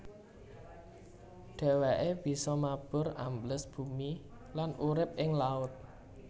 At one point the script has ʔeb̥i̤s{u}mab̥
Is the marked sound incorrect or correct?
incorrect